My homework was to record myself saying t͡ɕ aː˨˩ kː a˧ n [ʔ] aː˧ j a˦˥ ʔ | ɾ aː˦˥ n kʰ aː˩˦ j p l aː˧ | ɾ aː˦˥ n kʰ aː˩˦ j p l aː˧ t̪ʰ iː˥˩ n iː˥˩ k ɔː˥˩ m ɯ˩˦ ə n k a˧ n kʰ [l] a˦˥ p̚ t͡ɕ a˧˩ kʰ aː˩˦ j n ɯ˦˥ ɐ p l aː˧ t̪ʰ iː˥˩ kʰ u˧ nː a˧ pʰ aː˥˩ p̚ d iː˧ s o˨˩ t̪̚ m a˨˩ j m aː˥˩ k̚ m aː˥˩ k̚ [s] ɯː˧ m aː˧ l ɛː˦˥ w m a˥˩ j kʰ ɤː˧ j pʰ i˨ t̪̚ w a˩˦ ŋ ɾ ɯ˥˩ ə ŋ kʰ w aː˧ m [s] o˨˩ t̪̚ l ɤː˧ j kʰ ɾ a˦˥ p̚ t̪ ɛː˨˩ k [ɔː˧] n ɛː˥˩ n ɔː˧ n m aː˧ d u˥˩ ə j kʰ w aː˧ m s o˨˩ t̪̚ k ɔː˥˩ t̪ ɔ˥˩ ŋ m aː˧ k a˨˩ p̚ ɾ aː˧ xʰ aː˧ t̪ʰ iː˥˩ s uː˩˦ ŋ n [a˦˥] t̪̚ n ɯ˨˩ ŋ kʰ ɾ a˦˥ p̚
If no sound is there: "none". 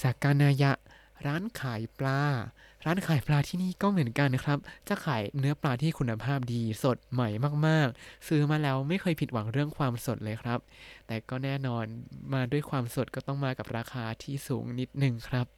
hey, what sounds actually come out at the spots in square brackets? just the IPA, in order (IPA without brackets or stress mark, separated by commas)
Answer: ʔ, ɾ, s, s, ɔː˥˩, i˦˥